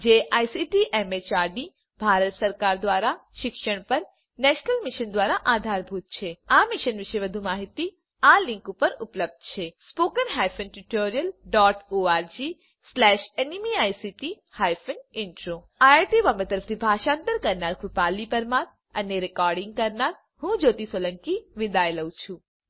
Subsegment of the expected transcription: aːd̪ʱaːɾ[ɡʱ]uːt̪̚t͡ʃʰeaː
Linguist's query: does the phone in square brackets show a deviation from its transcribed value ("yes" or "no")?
yes